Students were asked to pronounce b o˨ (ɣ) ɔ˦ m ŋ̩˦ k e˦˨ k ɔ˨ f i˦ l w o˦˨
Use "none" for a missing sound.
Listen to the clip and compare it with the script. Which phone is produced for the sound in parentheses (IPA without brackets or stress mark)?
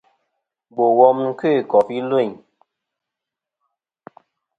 w